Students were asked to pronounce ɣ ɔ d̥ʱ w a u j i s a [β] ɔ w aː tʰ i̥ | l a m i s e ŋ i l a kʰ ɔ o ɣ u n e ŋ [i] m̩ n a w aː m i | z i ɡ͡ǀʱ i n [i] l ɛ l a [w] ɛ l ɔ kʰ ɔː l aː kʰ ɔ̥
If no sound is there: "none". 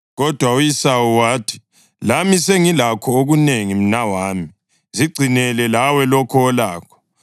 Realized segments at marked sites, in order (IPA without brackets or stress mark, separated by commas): w, i, ɛ, w